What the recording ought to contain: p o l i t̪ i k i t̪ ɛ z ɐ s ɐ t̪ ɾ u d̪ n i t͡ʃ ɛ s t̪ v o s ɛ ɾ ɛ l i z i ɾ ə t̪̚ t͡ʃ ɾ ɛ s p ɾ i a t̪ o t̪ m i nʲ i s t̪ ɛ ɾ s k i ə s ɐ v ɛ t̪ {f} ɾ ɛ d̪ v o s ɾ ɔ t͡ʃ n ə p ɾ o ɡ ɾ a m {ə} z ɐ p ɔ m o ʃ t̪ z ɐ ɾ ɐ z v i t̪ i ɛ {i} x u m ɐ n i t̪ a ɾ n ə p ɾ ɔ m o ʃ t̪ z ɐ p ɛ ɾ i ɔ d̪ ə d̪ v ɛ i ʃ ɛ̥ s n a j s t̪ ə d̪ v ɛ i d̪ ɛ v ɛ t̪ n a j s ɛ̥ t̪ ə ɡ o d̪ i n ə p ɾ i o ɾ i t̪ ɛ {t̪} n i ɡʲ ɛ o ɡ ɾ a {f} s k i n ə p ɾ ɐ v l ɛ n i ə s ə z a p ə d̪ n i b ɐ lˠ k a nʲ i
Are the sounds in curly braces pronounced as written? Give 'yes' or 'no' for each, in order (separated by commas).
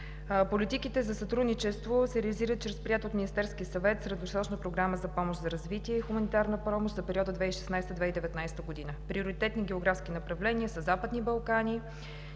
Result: no, yes, yes, yes, yes